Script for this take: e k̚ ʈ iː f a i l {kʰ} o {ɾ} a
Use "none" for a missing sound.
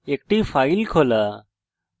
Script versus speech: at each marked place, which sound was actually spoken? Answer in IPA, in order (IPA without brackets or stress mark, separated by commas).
kʰ, l